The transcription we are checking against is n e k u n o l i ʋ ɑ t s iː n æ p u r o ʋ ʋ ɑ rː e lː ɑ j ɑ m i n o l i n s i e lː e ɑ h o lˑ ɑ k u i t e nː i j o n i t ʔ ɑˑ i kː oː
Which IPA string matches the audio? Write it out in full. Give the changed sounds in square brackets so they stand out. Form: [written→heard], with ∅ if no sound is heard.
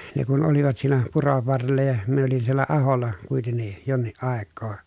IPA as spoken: n e k u n o l i ʋ ɑ t s iː n æ p u r o ʋ ʋ ɑ rː e lː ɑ j ɑ m i n o l i n s i e lː [e→æ] ɑ h o lˑ ɑ k u i t e nː i j o [n→nː] i [t→ʔ] ʔ ɑˑ [i→e] kː oː